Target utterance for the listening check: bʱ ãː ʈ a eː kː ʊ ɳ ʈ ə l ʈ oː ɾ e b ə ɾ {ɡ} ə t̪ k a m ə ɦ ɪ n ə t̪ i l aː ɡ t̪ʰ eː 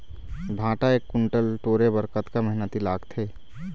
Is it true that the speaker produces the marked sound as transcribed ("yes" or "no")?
no